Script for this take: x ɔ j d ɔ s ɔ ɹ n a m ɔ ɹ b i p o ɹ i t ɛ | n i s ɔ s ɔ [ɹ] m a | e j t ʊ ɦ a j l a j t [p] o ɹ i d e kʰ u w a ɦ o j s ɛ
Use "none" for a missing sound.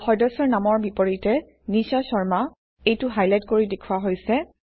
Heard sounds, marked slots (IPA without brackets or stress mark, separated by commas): ɹ, k